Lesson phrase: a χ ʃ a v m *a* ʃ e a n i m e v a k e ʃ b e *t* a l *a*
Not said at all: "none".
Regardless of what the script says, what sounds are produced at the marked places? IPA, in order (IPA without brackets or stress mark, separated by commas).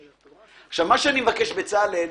a, t͡s, e